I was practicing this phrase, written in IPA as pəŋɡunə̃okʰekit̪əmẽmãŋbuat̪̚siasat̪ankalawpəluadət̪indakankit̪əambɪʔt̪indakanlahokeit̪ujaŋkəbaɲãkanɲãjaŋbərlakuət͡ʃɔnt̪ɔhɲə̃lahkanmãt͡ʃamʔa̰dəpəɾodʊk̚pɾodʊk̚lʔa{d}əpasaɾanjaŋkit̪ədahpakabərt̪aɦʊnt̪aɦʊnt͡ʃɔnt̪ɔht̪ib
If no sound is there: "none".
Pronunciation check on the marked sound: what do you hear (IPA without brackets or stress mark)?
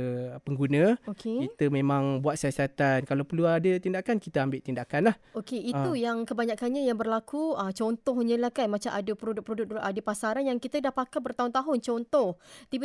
d